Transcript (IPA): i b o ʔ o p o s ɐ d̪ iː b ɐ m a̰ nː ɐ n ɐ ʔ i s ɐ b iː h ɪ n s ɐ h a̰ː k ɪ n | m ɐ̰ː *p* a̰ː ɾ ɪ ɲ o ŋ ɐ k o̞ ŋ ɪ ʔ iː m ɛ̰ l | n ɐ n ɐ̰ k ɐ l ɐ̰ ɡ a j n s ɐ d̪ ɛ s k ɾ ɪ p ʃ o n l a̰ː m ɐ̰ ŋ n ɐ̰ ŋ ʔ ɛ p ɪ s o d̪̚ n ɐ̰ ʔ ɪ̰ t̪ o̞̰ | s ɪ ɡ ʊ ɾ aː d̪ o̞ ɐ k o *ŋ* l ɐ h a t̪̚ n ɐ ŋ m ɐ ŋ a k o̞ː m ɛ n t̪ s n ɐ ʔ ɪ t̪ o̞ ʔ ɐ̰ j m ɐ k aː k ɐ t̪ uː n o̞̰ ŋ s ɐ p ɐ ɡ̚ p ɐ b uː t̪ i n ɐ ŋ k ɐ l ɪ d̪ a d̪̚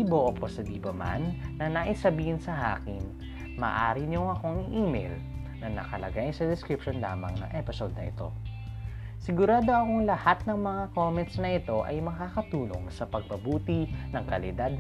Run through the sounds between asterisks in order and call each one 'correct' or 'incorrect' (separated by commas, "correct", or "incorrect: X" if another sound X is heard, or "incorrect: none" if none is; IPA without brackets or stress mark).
incorrect: ʔ, correct